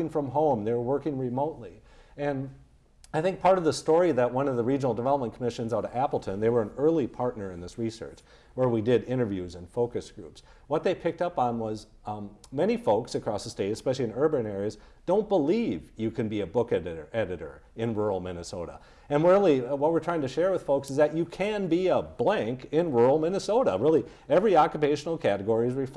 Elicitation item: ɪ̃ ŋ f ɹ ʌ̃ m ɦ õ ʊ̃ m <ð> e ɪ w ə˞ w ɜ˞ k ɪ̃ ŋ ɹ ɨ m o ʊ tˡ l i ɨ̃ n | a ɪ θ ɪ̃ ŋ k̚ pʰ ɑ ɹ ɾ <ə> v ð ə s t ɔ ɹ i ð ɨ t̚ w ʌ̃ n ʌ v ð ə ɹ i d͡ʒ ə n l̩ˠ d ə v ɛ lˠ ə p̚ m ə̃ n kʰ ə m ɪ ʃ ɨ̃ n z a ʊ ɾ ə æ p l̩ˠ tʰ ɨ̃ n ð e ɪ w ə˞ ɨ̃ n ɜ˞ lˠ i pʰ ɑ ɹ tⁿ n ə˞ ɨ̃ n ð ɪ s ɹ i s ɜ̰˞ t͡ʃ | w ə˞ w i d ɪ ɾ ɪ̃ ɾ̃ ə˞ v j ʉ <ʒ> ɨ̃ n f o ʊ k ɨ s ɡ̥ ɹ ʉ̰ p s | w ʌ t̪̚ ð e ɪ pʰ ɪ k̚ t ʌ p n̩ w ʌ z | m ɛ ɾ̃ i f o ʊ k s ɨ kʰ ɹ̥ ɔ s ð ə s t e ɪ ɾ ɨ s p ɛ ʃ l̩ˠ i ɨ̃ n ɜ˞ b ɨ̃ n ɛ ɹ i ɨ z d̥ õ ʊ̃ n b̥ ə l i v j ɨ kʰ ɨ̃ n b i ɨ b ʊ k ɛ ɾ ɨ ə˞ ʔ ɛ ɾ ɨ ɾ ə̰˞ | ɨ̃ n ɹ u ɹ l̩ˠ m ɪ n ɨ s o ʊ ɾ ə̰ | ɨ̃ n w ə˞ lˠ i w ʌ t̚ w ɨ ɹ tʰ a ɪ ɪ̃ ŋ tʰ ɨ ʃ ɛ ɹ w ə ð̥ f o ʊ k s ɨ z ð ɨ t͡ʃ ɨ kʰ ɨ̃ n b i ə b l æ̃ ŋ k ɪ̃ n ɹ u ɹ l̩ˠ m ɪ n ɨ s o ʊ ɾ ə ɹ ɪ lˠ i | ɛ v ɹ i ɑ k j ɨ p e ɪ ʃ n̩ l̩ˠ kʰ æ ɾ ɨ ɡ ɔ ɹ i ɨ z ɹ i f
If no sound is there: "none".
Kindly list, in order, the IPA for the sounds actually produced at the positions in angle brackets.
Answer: ð, ʌ, z

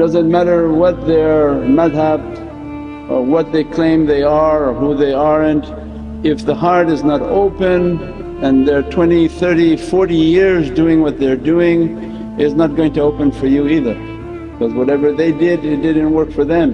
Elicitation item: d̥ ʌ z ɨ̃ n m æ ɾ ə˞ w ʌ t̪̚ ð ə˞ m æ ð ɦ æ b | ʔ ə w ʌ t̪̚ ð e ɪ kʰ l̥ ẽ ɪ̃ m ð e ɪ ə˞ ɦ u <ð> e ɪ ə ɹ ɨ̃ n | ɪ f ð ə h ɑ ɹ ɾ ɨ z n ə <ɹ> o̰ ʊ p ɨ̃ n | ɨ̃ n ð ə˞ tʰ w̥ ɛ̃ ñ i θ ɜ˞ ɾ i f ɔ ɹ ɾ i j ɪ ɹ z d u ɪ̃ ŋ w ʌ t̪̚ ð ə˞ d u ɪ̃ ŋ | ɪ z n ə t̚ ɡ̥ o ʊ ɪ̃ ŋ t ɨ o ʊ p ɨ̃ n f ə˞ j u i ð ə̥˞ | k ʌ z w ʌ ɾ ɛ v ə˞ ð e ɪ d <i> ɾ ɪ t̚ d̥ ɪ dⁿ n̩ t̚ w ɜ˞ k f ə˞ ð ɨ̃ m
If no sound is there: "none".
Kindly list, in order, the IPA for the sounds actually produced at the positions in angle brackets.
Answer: ð, ɾ, ɪ

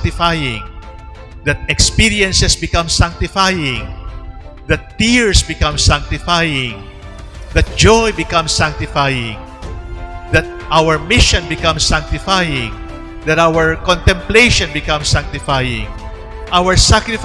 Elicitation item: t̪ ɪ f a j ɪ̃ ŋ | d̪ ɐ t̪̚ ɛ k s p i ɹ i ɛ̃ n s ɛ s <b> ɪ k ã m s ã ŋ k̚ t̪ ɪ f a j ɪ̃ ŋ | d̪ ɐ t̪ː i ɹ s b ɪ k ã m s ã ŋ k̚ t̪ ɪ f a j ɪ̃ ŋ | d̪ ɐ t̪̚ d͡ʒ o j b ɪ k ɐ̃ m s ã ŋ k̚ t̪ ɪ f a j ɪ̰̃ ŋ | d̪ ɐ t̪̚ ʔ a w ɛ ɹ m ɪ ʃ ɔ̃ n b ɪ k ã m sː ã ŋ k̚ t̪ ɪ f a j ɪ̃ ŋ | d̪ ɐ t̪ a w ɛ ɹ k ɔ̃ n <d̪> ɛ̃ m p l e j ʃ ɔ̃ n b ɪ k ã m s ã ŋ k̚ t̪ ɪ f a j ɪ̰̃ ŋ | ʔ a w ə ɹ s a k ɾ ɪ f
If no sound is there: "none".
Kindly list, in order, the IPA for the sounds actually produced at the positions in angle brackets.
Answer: b, t̪

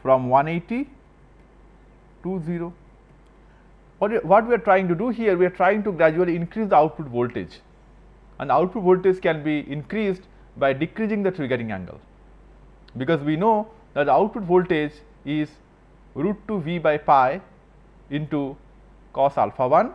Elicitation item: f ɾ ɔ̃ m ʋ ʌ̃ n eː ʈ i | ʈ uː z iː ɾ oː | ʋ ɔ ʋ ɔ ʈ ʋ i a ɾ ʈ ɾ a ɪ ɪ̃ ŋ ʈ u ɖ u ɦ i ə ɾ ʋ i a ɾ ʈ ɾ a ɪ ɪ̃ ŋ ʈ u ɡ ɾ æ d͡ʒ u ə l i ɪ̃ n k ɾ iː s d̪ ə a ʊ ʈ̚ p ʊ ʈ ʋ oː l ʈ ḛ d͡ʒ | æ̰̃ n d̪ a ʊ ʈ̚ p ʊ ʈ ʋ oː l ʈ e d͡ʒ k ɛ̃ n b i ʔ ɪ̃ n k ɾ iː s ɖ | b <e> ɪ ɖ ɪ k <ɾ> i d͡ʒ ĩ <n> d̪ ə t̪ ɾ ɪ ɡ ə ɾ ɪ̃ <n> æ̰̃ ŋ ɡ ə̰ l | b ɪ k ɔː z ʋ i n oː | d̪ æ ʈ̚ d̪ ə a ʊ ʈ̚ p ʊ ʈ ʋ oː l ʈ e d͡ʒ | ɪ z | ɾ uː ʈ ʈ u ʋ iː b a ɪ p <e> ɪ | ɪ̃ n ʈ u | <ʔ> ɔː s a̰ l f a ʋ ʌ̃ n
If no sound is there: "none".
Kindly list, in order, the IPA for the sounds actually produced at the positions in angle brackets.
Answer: a, ɾ, ŋ, ŋ, a, k

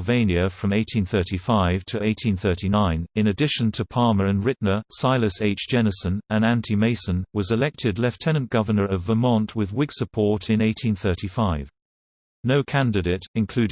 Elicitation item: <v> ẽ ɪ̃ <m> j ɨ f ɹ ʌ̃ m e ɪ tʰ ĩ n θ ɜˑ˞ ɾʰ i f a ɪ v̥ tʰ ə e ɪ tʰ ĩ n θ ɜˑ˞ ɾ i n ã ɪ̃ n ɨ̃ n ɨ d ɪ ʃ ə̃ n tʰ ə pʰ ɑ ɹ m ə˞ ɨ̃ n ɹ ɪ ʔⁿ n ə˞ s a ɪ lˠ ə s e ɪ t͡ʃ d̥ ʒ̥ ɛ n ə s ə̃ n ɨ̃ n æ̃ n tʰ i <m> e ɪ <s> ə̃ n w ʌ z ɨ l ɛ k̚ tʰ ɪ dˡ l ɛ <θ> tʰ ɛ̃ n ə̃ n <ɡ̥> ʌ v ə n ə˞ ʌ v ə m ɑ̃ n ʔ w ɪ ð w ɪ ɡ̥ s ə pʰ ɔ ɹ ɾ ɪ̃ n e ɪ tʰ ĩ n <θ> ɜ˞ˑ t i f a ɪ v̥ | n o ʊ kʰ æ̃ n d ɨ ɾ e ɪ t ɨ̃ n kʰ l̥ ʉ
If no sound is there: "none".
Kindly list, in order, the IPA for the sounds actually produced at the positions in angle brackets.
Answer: v, n, m, s, f, ɡ̥, θ

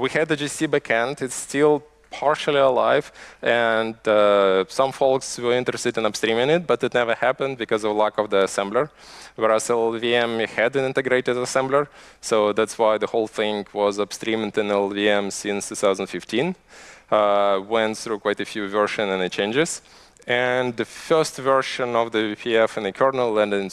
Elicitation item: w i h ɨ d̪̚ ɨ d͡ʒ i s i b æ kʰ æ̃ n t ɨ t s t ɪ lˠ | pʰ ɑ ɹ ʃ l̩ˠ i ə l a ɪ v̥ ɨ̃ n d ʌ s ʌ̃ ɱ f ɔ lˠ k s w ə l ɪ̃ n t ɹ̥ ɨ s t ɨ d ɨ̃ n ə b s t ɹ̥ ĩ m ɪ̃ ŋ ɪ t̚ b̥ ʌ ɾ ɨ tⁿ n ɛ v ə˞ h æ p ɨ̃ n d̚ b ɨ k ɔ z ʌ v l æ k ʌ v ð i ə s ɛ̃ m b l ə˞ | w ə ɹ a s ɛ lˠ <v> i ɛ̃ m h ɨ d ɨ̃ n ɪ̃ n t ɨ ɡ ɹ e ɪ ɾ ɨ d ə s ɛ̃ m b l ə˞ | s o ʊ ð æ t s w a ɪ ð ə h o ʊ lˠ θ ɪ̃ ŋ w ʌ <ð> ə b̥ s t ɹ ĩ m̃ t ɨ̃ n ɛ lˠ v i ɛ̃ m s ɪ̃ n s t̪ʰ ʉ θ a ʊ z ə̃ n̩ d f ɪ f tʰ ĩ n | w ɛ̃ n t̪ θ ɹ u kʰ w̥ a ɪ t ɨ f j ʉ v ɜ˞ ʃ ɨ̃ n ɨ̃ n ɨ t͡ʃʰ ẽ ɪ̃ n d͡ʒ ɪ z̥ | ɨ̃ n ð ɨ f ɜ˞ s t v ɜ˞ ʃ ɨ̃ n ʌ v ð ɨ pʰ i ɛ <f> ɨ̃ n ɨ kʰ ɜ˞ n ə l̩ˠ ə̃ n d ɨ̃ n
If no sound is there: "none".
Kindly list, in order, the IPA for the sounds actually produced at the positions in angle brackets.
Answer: v, z, f

